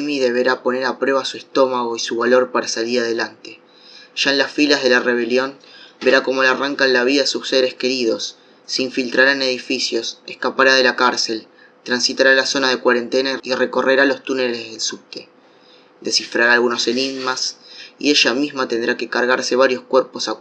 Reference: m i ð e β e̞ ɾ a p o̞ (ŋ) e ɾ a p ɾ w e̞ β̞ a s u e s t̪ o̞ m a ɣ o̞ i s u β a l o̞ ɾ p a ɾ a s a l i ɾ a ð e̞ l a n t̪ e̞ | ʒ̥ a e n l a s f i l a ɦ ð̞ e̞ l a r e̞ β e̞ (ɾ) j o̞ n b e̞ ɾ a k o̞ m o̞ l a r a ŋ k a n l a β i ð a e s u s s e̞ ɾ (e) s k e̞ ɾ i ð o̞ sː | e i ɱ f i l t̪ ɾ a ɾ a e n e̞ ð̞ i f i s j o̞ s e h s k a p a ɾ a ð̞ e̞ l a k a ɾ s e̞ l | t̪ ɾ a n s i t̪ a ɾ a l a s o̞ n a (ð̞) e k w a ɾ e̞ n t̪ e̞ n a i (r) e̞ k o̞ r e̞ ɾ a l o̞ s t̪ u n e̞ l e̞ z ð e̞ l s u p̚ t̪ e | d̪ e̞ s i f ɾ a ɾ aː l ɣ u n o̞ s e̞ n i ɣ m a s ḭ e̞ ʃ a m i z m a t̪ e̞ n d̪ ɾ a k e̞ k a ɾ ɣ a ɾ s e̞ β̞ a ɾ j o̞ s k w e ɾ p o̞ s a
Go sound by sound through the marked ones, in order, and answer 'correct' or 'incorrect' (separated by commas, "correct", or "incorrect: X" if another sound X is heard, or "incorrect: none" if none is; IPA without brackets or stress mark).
incorrect: n, incorrect: l, correct, correct, correct